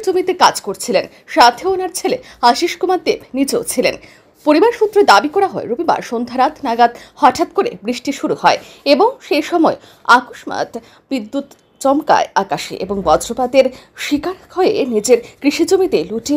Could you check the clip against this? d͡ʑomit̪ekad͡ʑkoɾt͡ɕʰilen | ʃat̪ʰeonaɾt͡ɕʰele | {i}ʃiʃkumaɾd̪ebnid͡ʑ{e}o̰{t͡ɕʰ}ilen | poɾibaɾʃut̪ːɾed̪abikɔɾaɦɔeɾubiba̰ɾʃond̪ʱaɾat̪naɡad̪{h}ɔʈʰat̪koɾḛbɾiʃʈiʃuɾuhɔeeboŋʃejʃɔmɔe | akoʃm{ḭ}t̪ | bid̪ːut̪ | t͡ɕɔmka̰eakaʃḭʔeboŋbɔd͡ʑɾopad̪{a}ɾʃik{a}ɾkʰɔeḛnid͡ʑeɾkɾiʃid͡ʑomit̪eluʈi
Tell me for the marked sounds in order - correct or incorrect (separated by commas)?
incorrect, correct, correct, correct, incorrect, incorrect, correct